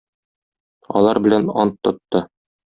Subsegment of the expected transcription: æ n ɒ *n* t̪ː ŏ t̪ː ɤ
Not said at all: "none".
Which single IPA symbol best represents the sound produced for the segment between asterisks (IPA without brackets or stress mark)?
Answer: n